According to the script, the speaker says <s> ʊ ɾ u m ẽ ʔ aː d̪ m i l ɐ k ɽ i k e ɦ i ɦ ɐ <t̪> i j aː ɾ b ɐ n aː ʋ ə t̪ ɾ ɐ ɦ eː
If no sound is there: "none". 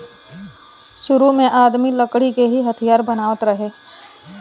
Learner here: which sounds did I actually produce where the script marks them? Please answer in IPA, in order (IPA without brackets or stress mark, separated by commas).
ʃ, t̪ʰ